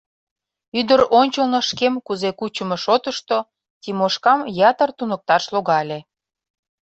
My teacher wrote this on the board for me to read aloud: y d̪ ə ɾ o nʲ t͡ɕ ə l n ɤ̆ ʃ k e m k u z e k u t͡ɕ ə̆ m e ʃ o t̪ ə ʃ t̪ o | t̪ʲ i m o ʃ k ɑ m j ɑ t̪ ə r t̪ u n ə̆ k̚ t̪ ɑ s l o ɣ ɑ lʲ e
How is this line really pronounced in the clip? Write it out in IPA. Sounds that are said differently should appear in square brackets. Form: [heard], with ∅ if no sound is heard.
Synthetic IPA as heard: y d̪ ə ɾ o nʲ t͡ɕ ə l n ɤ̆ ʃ k e m k u z e k u t͡ɕ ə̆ m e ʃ o t̪ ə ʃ t̪ o | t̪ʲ i m o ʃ k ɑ m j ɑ t̪ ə r t̪ u n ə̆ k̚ t̪ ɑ [ʃ] l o ɣ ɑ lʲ e

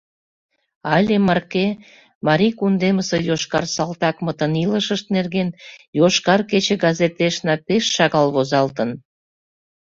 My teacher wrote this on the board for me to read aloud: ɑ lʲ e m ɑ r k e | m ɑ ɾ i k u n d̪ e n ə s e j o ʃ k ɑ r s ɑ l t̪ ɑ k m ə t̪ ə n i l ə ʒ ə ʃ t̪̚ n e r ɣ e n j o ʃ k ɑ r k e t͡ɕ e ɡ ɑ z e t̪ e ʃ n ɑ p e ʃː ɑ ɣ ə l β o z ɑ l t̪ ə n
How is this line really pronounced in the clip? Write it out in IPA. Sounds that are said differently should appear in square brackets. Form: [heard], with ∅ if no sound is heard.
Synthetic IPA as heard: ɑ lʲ e m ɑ r k e | m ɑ ɾ i k u n d̪ e [m] ə s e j o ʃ k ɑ r s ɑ l t̪ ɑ k m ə t̪ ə n i l ə [ʃ] ə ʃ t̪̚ n e r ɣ e n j o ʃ k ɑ r k e t͡ɕ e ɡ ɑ z e t̪ e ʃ n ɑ p e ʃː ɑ ɣ [ɑ] l β o z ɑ l t̪ ə n

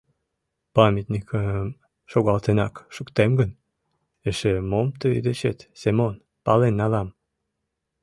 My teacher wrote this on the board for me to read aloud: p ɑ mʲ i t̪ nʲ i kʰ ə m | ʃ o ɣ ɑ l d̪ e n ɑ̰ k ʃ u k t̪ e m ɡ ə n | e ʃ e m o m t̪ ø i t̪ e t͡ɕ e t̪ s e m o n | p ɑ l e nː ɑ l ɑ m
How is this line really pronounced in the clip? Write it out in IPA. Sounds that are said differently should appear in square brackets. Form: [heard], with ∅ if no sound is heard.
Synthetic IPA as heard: p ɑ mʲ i t̪ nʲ i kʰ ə m | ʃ o ɣ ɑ l [t̪] e n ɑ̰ k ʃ u k t̪ e m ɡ ə n | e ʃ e m o m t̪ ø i [d̪] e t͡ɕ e t̪ s e m o n | p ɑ l e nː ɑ l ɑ m

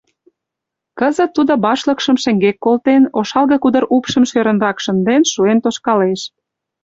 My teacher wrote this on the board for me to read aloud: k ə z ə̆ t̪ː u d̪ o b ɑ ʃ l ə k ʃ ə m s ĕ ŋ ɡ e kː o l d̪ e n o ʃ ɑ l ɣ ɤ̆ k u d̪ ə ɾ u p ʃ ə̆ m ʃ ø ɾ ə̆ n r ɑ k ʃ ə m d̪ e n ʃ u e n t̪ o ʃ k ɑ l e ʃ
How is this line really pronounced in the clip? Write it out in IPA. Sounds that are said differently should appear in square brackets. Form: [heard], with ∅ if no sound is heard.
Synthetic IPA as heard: k ə z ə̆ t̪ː u d̪ o b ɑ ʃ l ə k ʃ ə m [ʃ] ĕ ŋ ɡ e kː o l [t̪] e n o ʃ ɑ l ɣ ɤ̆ k u d̪ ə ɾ u p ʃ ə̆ m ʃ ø ɾ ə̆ n r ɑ k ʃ ə [n] d̪ e n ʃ u e n t̪ o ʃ k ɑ l e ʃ

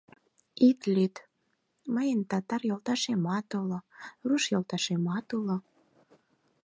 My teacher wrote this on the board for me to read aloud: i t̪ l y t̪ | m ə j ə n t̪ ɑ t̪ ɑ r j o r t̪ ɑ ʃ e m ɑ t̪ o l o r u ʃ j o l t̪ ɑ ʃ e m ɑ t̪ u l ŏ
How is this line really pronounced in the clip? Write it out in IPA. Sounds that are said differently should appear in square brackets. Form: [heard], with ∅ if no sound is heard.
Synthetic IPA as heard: i t̪ l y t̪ | m ə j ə n t̪ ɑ t̪ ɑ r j o [l] t̪ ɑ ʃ e m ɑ t̪ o l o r u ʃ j o l t̪ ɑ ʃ e m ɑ t̪ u l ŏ

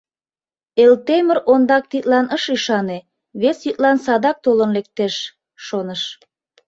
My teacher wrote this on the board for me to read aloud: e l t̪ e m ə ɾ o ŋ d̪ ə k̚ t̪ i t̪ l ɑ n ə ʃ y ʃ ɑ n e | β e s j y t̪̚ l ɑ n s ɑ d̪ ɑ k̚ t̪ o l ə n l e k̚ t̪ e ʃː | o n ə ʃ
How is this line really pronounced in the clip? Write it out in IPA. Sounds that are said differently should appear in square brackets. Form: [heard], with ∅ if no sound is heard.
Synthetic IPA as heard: e l t̪ e m ə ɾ o [n] d̪ [ɑ] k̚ t̪ i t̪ l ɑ n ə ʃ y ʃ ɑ n e | β e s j y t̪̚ l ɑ n s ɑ d̪ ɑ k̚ t̪ o l ə n l e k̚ t̪ e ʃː | o n ə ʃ

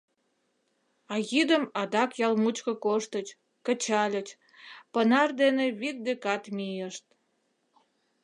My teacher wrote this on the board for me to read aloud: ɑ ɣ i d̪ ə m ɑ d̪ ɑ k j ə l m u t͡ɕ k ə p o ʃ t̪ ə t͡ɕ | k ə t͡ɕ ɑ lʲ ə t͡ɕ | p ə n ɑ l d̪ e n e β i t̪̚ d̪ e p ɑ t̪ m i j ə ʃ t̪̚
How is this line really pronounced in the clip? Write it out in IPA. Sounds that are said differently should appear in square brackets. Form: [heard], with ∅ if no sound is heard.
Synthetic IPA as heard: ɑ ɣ i d̪ ə m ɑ d̪ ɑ k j [ɑ] l m u t͡ɕ k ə [k] o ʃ t̪ ə t͡ɕ | k ə t͡ɕ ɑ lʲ ə t͡ɕ | p ə n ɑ [r] d̪ e n e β i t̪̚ d̪ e [k] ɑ t̪ m i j ə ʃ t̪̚

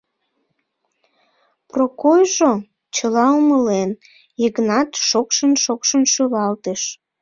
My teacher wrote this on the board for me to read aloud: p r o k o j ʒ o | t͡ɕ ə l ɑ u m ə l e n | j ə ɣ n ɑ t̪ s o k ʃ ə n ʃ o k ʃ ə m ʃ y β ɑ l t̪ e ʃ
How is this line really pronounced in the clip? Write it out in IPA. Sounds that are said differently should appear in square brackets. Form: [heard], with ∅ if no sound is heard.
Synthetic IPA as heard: p r o k o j ʒ o | t͡ɕ ə l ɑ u m ə l e n | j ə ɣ n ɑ t̪ [ʃ] o k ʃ ə n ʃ o k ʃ ə [n] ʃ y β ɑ l t̪ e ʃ

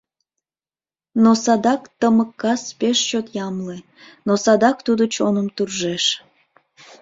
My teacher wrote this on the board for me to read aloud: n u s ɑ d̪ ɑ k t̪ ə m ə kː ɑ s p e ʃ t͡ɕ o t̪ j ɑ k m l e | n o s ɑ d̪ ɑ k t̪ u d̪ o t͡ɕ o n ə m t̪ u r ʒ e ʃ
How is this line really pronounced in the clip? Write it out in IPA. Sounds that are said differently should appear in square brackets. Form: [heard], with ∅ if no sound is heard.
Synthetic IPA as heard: n [o] s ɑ d̪ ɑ k t̪ ə m ə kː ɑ s p e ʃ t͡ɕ o t̪ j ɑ [∅] m l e | n o s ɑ d̪ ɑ k t̪ u d̪ o t͡ɕ o n ə m t̪ u r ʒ e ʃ

